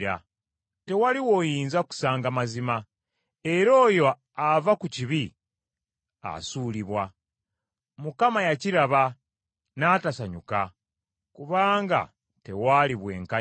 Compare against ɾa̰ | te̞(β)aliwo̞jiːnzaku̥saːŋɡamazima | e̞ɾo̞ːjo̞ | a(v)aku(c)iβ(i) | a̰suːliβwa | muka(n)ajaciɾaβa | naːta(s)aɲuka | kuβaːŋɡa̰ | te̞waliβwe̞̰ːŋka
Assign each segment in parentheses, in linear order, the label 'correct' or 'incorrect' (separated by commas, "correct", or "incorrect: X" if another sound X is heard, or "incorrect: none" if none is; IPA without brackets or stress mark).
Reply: incorrect: w, correct, correct, correct, incorrect: m, correct